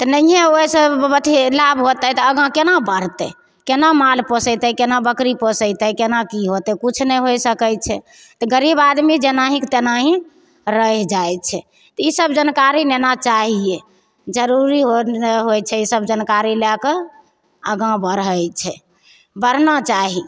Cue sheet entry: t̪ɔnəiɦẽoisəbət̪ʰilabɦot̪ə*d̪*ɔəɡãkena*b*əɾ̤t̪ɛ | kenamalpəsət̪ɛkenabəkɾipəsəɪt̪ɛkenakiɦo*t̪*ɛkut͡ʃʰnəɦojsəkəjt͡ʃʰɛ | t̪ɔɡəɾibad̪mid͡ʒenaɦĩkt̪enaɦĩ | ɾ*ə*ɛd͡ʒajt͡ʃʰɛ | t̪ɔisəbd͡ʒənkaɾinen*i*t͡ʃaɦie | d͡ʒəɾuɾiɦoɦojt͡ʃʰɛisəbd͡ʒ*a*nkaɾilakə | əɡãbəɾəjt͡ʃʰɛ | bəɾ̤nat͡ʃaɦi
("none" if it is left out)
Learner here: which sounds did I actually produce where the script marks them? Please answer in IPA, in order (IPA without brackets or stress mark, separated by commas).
t̪, b, t̪, ə, a, ə